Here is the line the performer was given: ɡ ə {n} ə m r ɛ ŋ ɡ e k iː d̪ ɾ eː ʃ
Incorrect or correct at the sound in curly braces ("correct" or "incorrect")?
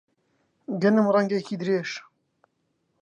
correct